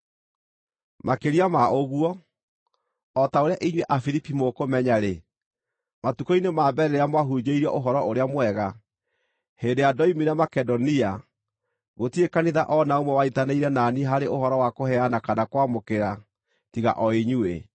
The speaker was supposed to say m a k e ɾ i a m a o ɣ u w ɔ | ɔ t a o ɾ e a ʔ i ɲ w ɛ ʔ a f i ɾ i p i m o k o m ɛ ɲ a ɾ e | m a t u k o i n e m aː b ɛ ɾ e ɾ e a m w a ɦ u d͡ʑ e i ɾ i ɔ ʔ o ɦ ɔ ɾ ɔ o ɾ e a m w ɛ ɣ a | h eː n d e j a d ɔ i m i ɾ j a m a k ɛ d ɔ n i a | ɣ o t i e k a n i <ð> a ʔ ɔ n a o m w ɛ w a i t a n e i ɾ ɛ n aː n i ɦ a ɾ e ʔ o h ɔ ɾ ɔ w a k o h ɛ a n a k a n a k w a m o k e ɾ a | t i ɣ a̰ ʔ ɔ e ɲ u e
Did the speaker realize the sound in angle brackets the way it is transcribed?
yes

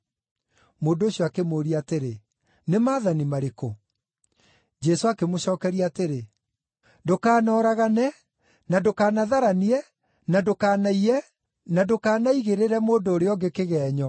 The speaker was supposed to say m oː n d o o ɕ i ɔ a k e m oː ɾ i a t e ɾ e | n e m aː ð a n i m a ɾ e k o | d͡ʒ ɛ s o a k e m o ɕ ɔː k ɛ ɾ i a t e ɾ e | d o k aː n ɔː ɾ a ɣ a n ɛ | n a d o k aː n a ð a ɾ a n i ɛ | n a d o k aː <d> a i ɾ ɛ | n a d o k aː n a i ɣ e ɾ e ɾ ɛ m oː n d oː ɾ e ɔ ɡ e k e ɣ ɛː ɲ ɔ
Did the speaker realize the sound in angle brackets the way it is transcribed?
no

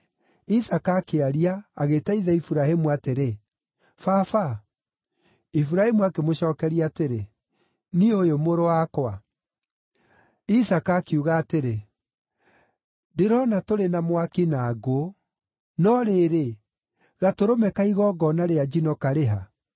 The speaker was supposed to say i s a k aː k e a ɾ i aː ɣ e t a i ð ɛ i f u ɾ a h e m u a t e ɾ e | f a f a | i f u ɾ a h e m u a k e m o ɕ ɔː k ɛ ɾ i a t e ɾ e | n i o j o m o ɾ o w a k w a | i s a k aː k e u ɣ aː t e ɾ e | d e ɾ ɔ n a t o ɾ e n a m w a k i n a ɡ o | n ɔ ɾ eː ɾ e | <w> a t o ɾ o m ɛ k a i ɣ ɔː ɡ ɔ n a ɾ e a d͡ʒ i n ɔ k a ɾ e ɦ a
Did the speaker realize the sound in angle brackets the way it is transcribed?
no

